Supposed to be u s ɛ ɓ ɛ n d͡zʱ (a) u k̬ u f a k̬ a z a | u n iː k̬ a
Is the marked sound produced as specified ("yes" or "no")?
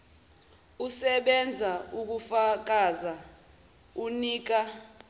yes